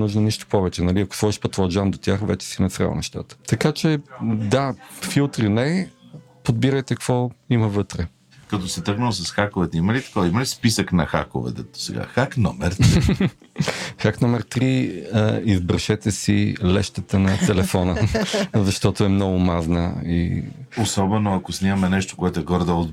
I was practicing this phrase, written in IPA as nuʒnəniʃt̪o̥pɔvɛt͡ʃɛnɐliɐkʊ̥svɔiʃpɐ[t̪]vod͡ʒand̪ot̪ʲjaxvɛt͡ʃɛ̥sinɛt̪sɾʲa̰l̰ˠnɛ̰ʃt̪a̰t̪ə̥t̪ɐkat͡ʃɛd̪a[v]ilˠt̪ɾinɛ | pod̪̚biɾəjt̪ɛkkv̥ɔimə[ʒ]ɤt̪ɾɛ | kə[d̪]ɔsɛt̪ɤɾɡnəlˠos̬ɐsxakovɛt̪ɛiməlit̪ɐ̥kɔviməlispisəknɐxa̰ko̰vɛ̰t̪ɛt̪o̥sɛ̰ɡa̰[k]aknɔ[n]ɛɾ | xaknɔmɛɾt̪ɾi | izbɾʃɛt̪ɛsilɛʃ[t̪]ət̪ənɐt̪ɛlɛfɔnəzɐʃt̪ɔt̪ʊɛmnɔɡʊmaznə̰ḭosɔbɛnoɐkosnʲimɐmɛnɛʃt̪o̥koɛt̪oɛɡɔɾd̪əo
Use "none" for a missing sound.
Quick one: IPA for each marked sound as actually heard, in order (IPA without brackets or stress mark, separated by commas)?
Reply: t̪, f, v, t̪, x, m, t̪